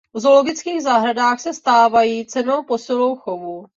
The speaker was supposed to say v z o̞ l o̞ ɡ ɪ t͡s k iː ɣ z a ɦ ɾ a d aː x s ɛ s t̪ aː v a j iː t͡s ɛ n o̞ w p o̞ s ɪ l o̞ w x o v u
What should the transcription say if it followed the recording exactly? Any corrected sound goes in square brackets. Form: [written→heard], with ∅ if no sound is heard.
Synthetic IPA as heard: v z o̞ l o̞ ɡ ɪ t͡s k iː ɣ z a ɦ ɾ a d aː x s ɛ s t̪ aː v a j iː t͡s ɛ n o̞ w p o̞ s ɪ l o̞ w x o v u